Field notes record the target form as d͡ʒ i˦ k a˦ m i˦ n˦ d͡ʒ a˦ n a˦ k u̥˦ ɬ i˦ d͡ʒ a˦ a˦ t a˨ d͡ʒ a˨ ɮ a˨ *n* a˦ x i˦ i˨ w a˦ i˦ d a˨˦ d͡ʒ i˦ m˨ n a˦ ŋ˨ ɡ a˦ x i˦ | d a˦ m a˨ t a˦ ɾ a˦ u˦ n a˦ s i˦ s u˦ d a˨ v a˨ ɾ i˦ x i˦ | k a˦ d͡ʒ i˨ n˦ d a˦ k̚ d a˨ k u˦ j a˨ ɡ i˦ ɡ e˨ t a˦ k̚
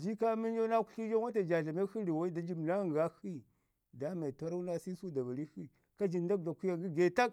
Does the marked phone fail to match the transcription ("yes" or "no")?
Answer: yes